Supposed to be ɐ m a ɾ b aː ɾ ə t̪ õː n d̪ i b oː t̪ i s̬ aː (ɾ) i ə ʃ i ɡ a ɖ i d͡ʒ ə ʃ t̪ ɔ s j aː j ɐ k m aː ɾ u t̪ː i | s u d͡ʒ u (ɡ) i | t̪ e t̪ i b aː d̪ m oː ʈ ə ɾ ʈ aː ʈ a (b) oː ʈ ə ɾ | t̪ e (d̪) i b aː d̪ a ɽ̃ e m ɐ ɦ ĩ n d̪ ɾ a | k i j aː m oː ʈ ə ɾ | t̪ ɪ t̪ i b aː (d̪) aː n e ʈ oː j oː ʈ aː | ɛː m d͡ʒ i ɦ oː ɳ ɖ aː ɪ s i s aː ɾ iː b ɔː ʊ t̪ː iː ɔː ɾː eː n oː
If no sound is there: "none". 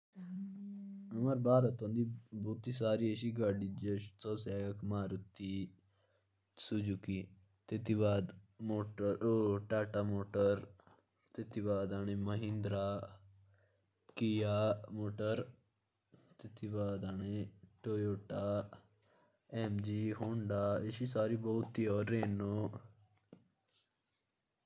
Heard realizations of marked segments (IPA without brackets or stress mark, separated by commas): ɾ, k, m, t̪, d̪